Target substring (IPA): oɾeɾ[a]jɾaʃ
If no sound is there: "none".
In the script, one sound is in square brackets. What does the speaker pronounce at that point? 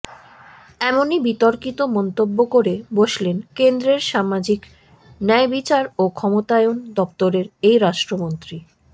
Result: e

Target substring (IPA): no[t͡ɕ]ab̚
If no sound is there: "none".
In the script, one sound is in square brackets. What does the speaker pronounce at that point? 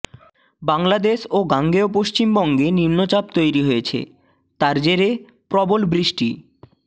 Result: t͡ɕ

